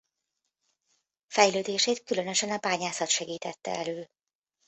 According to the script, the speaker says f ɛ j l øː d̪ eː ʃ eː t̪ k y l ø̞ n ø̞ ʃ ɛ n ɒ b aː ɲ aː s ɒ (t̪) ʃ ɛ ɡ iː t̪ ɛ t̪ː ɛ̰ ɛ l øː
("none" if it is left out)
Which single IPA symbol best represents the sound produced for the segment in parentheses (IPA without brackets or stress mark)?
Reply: t̪